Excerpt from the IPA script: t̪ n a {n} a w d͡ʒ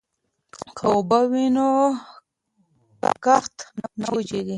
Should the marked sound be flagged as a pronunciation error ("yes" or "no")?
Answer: no